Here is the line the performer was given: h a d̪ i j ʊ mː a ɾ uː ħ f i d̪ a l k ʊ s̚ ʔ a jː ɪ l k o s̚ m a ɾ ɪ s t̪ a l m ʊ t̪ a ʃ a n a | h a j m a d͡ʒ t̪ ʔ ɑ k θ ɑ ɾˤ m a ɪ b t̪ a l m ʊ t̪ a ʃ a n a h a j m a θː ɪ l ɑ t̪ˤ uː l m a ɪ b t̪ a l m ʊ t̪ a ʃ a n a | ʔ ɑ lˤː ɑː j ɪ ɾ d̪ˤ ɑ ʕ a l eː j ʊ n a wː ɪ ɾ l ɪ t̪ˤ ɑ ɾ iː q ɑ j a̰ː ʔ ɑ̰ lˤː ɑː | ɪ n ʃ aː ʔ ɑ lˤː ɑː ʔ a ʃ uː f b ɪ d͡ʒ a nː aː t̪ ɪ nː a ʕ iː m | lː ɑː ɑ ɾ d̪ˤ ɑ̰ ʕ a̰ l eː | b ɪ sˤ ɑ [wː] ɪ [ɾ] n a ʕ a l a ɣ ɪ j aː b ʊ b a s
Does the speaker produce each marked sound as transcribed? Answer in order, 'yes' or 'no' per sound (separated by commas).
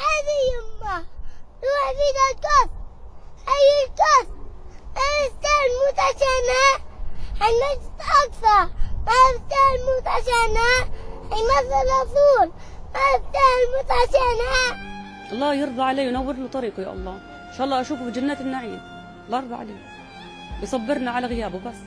no, yes